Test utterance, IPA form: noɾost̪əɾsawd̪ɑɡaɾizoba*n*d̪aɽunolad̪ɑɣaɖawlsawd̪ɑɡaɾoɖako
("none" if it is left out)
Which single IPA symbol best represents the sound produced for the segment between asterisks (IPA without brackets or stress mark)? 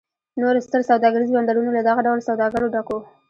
n